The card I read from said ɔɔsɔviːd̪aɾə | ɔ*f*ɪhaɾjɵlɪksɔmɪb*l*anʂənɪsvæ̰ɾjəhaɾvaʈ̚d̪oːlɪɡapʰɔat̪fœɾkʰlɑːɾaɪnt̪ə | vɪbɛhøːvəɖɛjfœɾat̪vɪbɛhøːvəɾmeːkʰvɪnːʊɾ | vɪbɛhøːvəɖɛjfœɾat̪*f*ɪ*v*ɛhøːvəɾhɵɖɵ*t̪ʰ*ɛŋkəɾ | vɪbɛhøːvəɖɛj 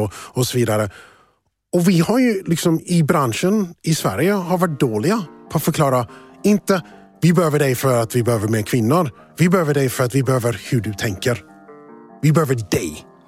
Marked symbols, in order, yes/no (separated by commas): no, no, no, no, yes